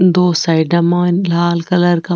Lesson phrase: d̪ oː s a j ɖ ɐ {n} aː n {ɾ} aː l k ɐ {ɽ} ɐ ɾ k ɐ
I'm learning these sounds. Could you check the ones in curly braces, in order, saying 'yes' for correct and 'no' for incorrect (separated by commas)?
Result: no, no, no